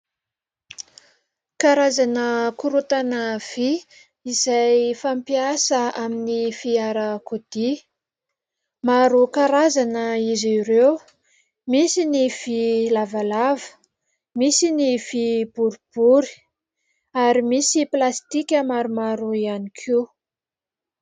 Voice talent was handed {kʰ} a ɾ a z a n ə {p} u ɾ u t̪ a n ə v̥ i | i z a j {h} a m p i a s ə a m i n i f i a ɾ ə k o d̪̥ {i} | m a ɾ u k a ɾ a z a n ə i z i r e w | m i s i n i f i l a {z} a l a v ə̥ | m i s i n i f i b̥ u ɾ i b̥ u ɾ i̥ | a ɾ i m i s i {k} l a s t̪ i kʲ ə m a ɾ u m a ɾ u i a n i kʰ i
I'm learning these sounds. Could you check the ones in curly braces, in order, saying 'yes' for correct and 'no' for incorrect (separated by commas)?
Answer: no, no, no, yes, no, no